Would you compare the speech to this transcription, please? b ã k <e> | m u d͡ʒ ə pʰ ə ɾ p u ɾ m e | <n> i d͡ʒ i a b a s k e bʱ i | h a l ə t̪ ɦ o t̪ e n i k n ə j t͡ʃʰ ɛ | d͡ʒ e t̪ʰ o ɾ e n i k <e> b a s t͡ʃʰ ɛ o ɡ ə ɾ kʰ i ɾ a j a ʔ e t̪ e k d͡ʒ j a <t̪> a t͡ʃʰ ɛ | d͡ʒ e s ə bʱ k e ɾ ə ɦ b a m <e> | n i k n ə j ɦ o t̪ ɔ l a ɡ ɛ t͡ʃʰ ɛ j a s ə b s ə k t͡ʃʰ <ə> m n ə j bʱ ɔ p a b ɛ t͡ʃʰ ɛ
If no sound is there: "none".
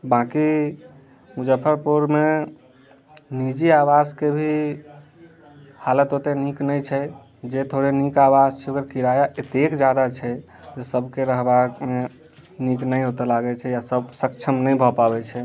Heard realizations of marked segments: i, n, a, d̪, e, ə

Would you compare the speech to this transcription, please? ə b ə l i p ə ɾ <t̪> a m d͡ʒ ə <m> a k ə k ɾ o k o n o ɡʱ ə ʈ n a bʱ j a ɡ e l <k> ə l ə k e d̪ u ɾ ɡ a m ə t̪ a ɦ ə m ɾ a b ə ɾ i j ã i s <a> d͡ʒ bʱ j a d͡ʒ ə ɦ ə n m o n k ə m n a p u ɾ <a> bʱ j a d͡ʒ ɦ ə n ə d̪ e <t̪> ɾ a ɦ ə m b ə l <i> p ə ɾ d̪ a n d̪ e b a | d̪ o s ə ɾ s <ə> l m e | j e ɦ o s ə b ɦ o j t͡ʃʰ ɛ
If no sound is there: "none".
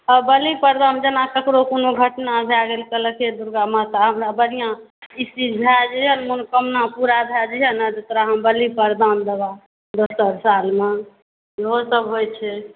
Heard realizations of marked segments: d̪, n, k, i, a, t̪, i, a

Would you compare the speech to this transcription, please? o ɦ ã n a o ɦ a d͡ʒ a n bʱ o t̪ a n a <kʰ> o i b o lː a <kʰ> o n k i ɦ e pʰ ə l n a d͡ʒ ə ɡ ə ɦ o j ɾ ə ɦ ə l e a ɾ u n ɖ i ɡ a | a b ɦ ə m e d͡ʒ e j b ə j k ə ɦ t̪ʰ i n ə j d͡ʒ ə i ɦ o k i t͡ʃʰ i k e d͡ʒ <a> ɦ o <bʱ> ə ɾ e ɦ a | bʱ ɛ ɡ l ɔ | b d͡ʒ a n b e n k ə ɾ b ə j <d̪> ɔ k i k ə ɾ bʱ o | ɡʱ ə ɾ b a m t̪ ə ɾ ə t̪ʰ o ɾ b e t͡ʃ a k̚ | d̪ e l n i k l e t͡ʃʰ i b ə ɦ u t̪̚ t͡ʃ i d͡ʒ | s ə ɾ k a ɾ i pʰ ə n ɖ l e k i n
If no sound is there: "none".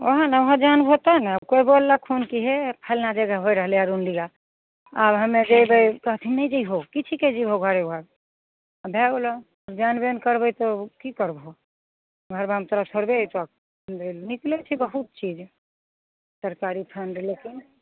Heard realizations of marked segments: k, kʰ, i, ɡʱ, t̪

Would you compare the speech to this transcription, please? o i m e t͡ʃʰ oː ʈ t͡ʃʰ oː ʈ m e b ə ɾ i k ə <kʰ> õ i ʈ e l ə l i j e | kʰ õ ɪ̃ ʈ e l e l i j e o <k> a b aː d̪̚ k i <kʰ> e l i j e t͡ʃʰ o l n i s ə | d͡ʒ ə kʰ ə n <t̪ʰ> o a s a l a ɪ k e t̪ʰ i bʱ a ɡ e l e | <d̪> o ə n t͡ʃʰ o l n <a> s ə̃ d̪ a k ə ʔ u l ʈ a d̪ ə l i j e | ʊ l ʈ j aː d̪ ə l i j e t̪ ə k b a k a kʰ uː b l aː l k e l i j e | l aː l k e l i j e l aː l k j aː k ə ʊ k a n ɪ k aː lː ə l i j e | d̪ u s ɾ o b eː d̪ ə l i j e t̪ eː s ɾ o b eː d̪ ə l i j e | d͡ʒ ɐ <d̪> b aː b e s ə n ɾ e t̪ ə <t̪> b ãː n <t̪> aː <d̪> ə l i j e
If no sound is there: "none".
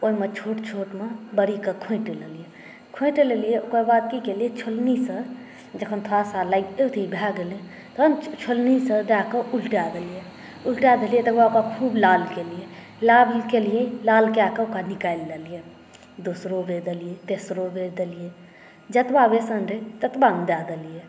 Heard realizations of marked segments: kʰ, k, k, t̪ʰ, t̪, i, t̪, t̪, d̪, d̪

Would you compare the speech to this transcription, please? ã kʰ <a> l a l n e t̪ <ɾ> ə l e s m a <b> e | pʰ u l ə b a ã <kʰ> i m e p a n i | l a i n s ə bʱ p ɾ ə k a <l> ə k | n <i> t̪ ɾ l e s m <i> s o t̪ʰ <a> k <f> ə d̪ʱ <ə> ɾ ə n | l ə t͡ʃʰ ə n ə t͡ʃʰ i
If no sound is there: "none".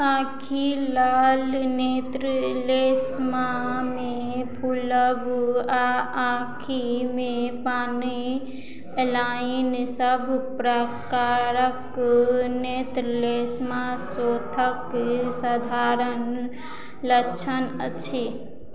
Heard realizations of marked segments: i, ɾ, m, kʰ, ɾ, e, a, ə, s, a

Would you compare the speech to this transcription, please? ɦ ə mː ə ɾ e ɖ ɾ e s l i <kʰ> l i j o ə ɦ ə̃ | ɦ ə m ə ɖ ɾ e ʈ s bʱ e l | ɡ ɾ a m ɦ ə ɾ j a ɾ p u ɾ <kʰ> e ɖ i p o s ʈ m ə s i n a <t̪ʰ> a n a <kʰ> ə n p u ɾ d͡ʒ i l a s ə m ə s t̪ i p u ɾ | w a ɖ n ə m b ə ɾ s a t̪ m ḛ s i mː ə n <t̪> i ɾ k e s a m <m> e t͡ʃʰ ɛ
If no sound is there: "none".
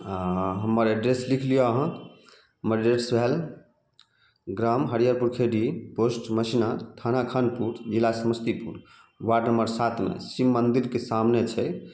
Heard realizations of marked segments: kʰ, kʰ, t̪ʰ, kʰ, d̪, n

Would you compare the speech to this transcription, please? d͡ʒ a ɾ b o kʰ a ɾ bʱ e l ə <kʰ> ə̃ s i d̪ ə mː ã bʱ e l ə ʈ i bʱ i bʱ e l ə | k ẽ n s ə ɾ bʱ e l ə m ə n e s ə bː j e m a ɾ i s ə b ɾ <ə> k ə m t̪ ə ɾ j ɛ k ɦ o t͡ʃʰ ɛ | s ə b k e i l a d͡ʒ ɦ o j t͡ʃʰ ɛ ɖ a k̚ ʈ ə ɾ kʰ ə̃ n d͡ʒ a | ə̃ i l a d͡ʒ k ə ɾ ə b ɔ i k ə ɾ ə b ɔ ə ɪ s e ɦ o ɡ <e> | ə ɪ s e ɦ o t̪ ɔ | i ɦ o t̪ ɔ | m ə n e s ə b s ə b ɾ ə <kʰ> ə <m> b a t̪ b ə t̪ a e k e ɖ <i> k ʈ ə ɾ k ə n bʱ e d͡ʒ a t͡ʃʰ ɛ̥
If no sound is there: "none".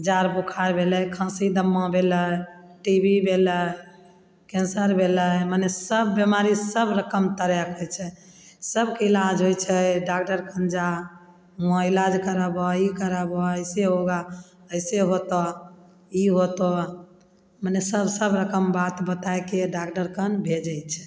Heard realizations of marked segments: kʰ, ə, a, k, m, a

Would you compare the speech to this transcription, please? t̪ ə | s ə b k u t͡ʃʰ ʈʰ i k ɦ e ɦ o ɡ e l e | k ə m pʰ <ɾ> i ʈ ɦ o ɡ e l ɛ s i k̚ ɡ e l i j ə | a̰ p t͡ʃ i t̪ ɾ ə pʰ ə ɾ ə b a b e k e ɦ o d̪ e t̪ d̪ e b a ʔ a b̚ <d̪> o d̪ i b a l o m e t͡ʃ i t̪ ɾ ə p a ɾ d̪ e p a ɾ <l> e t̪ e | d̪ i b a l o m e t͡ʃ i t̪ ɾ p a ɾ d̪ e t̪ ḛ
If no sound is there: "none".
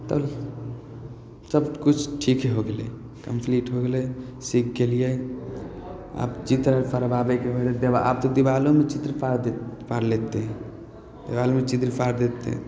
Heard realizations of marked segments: l, t̪, l

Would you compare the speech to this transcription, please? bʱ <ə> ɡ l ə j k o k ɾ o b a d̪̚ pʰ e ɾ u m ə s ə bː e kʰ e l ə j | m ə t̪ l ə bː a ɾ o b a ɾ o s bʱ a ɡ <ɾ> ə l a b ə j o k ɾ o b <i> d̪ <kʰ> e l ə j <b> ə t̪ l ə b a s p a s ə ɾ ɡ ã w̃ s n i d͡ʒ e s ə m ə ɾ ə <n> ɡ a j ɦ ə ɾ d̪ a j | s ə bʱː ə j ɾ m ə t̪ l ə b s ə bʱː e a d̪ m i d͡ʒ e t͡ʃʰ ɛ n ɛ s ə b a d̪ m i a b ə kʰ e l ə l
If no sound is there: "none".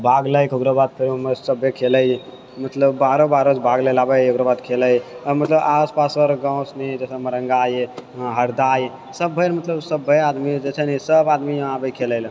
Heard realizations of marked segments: a, l, a, kʰ, m, ŋ

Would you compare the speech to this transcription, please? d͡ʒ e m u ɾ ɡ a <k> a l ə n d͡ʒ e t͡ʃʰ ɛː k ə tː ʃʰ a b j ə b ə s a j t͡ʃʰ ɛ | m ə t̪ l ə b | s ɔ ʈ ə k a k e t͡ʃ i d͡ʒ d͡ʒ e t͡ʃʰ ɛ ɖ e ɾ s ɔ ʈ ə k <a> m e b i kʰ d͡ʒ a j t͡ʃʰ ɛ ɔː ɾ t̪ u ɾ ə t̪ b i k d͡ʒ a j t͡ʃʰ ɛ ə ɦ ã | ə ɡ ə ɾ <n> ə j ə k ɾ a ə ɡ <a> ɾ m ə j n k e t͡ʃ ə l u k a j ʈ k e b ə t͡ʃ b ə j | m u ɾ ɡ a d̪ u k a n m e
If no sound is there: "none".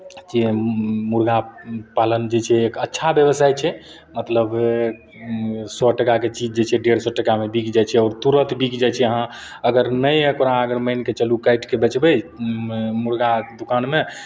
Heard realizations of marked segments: p, a, n, ə

